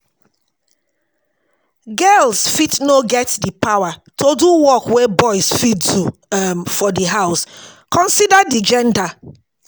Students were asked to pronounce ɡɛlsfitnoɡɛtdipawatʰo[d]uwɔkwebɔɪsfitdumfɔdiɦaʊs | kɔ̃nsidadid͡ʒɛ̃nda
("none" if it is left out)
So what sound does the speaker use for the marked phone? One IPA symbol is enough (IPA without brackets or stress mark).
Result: d